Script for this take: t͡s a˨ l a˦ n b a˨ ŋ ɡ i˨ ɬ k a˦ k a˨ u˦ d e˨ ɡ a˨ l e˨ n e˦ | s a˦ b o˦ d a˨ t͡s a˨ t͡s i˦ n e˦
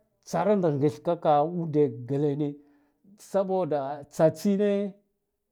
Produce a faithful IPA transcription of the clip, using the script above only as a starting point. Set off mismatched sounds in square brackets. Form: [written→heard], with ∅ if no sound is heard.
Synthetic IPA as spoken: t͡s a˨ [l→ɾ] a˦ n [b→d] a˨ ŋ ɡ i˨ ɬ k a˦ k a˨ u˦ d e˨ ɡ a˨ l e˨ n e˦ | s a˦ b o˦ d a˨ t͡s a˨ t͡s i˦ n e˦